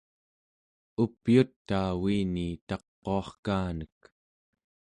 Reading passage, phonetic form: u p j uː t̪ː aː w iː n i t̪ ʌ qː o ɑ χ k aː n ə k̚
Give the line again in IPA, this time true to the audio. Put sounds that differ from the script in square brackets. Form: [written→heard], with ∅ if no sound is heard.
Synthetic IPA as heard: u p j [uː→u] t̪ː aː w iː n i t̪ [ʌ→ɑ] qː o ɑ χ k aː n ə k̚